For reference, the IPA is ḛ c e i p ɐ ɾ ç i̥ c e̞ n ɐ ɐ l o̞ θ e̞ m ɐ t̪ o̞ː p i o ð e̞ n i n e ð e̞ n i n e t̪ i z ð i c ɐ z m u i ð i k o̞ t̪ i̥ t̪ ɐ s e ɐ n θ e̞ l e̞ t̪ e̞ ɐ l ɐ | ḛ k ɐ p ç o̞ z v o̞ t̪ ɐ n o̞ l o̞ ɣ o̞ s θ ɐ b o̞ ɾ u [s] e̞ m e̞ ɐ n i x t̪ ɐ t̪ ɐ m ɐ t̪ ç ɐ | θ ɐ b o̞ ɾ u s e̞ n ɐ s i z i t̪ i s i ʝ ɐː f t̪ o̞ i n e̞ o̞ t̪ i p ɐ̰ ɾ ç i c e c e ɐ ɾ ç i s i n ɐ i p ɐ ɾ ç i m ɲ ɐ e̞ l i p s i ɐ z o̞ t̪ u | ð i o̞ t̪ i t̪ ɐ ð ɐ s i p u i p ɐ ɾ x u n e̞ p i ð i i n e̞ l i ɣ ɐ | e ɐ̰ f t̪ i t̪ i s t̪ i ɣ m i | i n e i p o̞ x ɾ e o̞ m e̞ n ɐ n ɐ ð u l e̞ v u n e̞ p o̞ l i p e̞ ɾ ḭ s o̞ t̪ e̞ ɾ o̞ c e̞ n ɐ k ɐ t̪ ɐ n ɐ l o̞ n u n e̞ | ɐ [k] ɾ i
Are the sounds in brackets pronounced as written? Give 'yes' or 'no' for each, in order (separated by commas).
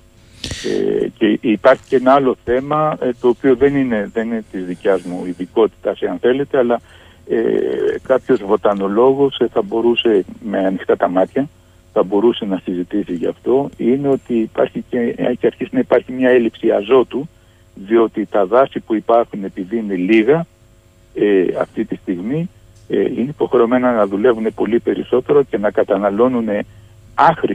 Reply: yes, no